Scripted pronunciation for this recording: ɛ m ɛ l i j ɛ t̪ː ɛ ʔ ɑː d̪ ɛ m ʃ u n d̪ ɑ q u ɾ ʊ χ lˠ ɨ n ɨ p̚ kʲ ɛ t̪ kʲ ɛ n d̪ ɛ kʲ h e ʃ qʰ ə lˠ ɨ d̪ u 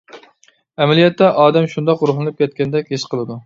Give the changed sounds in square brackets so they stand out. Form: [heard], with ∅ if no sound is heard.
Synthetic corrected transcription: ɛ m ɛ l i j ɛ t̪ː ɛ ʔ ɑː d̪ ɛ m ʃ u n d̪ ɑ q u ɾ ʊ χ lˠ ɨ n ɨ p̚ kʲ ɛ t̪ kʲ ɛ n d̪ ɛ kʲ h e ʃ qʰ ə lˠ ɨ d̪ u